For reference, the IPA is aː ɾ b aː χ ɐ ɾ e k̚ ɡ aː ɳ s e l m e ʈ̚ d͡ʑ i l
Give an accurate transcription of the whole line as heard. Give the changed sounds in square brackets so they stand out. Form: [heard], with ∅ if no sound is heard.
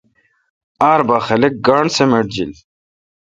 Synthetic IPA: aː ɾ b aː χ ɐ [l] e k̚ ɡ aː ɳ s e [∅] m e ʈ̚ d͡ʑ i l